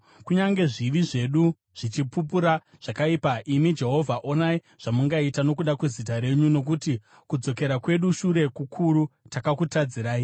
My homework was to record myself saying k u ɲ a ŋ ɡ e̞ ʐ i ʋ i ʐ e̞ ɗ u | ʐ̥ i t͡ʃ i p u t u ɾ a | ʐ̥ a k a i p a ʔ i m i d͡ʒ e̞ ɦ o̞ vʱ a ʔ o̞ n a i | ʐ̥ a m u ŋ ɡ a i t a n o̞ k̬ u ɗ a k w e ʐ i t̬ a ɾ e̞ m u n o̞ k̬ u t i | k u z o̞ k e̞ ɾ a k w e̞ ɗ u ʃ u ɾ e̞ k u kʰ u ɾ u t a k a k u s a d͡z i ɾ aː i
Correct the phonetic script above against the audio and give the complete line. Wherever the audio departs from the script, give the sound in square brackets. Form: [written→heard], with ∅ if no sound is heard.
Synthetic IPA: k u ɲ a ŋ ɡ e̞ ʐ i ʋ i ʐ e̞ ɗ u | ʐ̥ i t͡ʃ i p u [t→p] u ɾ a | ʐ̥ a k a i p a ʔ i m i d͡ʒ e̞ ɦ o̞ vʱ a ʔ o̞ n a i | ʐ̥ a m u ŋ ɡ a i t a n o̞ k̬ u ɗ a k w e [ʐ→z] i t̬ a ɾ e̞ [m→ɲ] u n o̞ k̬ u t i | k u [z→d͡z] o̞ k e̞ ɾ a k w e̞ ɗ u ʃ u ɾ e̞ k u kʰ u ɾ u t a k a k u [s→t] a d͡z i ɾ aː i